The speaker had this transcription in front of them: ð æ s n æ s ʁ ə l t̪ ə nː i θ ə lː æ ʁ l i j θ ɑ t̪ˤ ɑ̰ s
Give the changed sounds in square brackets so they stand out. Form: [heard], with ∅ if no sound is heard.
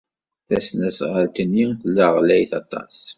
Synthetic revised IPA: [θ] æ s n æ s ʁ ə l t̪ ə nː i θ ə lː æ ʁ l [æ] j θ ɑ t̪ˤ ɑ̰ s